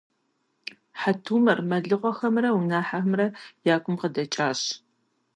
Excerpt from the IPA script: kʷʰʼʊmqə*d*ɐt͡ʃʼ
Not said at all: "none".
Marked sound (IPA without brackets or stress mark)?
d